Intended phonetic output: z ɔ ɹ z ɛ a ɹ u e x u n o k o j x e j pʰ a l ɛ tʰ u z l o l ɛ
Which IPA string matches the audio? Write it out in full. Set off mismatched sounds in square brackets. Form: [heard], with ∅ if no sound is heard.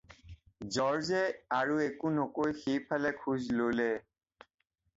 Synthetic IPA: z ɔ ɹ z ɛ a ɹ u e [k] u n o k o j x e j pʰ a l ɛ [kʰ] u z l o l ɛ